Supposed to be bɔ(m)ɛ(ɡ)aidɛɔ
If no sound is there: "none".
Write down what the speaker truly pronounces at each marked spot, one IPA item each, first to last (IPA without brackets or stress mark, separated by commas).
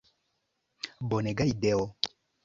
n, ɡ